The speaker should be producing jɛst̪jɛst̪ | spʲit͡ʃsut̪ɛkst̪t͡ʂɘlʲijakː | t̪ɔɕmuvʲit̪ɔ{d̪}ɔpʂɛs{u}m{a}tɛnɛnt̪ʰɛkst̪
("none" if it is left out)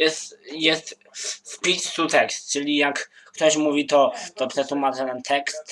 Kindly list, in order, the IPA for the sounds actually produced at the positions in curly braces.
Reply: t̪, u, a

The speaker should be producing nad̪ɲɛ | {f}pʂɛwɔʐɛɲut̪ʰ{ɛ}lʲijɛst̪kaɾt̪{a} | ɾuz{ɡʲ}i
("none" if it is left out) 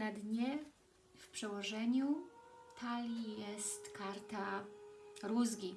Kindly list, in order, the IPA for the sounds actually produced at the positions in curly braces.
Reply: f, a, a, ɡʲ

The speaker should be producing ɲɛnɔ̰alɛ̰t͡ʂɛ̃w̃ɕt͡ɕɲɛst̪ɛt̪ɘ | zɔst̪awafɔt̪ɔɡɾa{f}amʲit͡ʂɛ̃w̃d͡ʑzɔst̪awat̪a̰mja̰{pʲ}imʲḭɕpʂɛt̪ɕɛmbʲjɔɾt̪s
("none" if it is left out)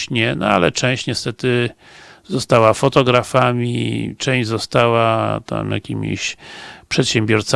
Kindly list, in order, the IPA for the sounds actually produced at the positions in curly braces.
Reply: f, kʲ

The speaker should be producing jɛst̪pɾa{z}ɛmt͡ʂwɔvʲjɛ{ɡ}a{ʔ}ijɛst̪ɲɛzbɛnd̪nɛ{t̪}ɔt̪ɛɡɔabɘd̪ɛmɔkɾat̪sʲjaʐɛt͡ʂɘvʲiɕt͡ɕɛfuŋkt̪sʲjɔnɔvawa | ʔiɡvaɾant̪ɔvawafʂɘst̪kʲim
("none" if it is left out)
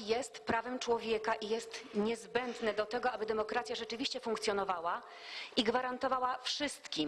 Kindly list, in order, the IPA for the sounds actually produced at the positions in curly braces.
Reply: v, k, ʔ, d̪

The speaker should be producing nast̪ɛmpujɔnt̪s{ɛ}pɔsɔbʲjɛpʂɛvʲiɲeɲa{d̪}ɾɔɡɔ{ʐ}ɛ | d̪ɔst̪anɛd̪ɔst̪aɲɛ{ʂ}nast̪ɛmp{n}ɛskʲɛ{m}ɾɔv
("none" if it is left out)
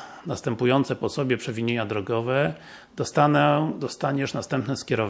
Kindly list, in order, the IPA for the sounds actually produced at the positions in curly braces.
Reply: ɛ, d̪, v, ʂ, n, none

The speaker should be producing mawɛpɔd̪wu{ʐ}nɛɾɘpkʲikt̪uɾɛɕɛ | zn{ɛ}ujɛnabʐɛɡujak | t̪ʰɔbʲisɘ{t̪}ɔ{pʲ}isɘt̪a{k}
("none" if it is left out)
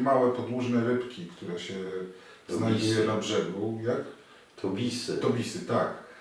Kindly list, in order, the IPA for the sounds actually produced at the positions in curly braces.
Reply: ʐ, a, t̪, bʲ, k

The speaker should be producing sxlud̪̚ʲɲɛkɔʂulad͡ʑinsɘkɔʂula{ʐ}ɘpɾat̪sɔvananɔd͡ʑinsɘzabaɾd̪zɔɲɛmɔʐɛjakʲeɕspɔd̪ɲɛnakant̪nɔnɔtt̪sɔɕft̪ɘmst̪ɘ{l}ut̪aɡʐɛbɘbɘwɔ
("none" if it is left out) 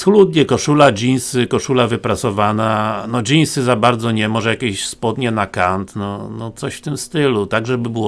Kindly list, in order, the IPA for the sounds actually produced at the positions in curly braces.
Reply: v, l

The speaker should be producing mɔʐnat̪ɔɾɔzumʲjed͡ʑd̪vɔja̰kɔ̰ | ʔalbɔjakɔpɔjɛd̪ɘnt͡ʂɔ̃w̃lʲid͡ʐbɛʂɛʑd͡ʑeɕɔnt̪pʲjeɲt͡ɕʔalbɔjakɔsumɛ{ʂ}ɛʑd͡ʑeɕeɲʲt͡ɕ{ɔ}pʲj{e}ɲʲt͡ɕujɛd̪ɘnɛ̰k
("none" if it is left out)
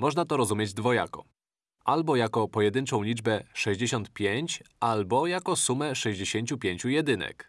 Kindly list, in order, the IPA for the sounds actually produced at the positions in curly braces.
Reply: ʂ, u, e

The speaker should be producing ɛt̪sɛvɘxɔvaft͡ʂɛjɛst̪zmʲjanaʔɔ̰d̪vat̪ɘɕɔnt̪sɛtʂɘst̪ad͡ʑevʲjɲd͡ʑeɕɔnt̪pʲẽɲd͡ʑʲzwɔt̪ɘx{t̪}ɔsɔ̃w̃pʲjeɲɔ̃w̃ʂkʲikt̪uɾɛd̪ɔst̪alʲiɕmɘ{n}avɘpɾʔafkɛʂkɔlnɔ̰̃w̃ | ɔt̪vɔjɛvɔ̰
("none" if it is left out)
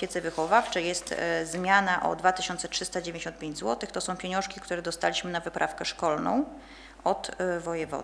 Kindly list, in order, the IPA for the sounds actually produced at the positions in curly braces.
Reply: t̪, n

